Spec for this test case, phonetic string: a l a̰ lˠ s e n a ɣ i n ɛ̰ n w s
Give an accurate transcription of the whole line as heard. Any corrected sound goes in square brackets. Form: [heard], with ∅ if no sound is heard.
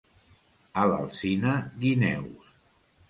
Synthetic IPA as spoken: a l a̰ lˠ s [i] n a ɣ i n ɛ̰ [∅] w s